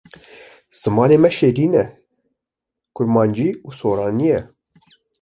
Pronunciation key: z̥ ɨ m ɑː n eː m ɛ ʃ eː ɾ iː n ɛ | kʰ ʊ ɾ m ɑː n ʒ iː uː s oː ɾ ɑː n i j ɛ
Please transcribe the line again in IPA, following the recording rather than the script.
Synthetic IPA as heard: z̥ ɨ m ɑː n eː m ɛ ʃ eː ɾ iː n ɛ | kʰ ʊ ɾ m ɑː n d͡ʒ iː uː s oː ɾ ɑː n i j ɛ